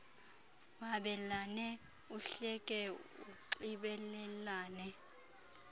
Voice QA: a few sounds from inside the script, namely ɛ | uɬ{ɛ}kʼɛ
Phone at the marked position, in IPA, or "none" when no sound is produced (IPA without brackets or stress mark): ɛ